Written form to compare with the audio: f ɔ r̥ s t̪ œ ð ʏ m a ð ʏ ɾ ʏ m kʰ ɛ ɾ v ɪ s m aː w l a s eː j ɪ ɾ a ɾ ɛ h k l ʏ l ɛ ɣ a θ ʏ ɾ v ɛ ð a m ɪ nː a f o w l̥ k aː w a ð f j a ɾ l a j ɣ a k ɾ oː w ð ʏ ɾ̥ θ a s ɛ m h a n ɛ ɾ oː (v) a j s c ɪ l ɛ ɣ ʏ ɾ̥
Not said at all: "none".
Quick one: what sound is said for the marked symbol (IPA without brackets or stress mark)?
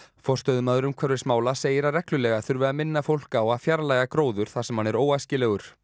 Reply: w